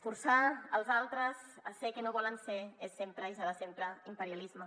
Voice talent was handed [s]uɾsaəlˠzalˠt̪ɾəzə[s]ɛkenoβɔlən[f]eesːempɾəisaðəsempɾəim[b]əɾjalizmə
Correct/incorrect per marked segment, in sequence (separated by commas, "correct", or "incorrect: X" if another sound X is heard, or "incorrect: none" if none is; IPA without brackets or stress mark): incorrect: f, correct, incorrect: s, incorrect: p